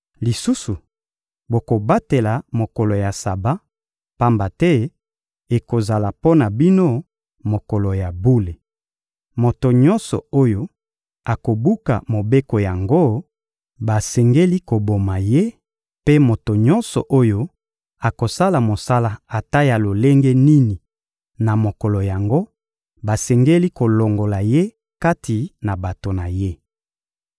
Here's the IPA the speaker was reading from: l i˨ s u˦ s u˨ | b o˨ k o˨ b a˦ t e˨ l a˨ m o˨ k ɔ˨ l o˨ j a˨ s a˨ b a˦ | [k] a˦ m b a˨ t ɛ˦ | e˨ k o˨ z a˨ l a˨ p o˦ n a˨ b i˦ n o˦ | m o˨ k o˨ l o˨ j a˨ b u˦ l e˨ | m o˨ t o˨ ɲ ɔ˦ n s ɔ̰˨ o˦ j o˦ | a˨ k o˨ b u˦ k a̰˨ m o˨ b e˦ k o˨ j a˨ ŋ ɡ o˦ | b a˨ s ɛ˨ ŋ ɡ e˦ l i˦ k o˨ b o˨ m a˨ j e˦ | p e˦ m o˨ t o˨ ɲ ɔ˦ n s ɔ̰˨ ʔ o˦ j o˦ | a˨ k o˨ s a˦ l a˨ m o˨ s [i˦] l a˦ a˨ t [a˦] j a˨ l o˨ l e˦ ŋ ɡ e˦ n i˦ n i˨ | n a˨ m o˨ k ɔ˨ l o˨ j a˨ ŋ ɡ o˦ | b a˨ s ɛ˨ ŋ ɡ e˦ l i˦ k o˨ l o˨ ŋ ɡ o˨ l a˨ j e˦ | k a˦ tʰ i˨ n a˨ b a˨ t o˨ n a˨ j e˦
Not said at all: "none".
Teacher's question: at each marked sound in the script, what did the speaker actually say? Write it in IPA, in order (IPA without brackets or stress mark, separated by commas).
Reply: p, a˦, a˦